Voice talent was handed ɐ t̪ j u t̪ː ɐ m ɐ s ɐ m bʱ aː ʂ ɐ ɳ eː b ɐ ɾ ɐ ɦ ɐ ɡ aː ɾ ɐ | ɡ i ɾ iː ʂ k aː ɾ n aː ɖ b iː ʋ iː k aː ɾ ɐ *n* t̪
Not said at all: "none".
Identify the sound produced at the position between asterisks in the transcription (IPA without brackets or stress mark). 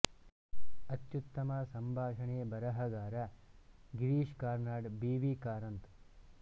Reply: n